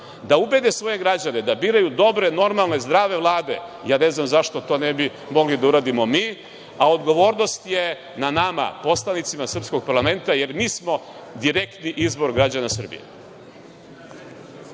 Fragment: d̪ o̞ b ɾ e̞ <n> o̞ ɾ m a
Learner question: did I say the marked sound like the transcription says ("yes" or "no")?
yes